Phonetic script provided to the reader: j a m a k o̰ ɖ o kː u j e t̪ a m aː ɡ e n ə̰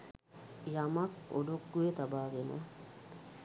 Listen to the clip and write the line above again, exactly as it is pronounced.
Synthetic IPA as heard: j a m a k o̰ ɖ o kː u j e t̪ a b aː ɡ e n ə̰